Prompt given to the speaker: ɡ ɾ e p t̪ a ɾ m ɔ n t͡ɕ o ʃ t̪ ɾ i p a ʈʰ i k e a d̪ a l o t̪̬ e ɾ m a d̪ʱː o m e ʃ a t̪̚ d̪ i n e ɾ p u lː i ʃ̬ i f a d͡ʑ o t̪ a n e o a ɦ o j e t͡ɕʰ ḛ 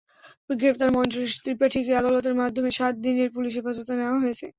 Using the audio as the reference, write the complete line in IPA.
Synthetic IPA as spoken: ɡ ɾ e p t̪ a ɾ m ɔ n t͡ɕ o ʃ t̪ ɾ i p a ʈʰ i k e a d̪ a l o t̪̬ e ɾ m a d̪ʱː o m e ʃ a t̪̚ d̪ i n e ɾ p u l i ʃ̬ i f a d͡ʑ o t̪ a n e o a ɦ o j e t͡ɕʰ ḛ